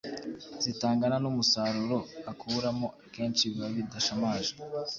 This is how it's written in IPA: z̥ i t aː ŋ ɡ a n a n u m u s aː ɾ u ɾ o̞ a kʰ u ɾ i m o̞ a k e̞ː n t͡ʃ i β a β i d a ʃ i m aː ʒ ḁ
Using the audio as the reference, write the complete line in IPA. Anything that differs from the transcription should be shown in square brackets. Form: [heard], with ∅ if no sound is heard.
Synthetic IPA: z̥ i t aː ŋ ɡ a n a n u m u s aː ɾ u ɾ o̞ a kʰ u ɾ [a] m o̞ a k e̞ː n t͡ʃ i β a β i d a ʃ [a] m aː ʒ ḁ

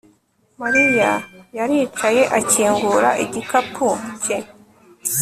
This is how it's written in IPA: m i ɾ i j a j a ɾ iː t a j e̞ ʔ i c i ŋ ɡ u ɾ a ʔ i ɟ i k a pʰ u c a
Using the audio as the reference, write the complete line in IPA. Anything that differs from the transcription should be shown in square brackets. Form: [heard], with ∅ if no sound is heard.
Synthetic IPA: m [a] ɾ i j a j a ɾ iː [t͡ʃ] a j e̞ ʔ [a] c [iː] ŋ ɡ u ɾ a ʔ i ɟ i k a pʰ u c [e]

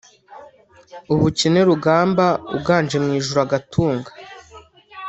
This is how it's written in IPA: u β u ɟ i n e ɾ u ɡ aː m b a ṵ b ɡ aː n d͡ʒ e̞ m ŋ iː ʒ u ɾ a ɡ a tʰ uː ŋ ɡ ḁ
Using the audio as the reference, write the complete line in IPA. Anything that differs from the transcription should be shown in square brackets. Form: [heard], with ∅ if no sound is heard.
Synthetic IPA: u β u [c] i n e ɾ u ɡ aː m b a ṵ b ɡ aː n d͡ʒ e̞ m ŋ iː ʒ u ɾ a ɡ a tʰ uː ŋ ɡ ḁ

